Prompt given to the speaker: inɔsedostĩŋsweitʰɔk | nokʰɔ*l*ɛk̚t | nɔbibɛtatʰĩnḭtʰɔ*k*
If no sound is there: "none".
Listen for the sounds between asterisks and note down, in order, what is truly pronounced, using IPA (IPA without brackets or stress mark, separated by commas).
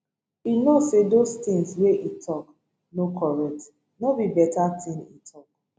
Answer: ɹ, k